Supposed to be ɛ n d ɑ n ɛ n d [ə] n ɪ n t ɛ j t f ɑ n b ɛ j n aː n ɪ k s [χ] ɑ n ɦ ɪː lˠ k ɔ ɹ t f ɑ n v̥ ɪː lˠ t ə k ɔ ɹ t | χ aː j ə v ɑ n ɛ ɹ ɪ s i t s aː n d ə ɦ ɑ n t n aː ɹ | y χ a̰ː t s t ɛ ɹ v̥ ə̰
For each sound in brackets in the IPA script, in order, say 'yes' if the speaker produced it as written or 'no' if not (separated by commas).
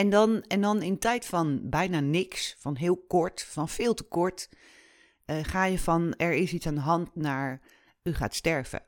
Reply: no, no